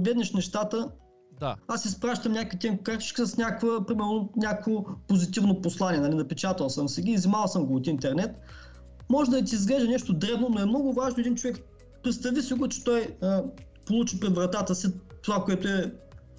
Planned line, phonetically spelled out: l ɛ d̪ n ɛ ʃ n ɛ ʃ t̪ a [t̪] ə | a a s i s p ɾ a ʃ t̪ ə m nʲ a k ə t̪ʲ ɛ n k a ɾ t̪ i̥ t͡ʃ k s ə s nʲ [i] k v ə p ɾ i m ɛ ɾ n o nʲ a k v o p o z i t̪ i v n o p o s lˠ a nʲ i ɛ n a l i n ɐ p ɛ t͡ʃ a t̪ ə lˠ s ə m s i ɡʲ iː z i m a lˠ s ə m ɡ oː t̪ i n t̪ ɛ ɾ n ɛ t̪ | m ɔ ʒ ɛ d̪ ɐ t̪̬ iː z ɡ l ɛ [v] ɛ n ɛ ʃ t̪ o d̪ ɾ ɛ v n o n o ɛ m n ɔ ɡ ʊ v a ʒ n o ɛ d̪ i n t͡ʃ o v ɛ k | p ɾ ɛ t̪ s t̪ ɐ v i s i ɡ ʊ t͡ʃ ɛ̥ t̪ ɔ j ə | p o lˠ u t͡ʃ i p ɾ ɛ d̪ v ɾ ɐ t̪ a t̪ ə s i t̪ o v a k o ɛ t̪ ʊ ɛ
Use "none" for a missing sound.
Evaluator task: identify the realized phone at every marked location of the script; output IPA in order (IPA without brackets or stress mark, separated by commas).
t̪, a, ʒ